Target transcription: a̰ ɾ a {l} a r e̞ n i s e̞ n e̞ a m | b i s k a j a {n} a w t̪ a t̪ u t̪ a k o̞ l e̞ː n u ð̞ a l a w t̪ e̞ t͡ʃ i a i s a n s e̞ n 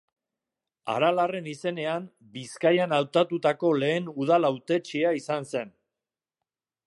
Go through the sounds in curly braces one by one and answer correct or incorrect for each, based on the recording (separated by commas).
correct, correct